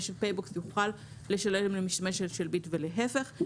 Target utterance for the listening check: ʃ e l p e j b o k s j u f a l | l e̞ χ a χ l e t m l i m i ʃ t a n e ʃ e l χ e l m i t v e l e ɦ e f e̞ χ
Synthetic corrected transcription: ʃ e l p e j b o k s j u χ a l | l e̞ ʃ a l e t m l e m i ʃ t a m e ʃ e l ʃ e l b i t v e l e ɦ e f e̞ χ